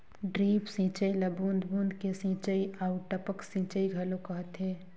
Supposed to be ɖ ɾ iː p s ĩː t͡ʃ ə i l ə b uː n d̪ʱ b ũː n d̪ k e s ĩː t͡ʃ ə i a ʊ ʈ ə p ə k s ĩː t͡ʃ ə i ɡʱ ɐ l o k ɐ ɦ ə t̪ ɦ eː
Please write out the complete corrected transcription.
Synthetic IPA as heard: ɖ ɾ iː p s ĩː t͡ʃ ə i l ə b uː n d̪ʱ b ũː n d̪ k e s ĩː t͡ʃ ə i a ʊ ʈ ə p ə k s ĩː t͡ʃ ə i ɡʱ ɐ l o k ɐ ɦ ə t̪ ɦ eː